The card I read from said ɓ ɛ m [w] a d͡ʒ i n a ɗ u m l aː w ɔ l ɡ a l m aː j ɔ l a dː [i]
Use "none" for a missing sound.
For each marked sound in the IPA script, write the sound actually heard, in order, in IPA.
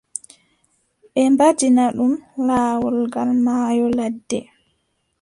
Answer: b, ɛ

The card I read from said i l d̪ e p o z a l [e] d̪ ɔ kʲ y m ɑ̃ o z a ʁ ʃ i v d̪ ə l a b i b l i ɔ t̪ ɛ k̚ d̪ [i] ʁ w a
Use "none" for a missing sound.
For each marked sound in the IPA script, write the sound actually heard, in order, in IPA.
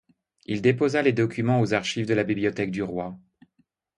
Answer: e, y

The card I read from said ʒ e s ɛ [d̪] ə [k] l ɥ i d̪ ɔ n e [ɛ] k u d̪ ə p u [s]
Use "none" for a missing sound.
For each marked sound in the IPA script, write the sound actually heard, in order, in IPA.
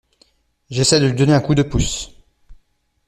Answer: d̪, none, ɛ̃, s

